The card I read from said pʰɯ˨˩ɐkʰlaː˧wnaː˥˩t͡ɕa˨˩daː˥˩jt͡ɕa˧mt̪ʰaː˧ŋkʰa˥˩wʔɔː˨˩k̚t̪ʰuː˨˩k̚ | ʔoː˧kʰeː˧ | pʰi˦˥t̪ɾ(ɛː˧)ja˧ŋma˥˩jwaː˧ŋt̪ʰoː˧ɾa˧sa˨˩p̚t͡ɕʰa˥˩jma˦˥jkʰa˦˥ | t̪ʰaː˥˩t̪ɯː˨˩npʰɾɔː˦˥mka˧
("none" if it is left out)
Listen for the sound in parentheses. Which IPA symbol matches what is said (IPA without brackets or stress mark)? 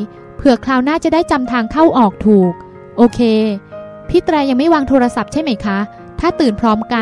ɛː˧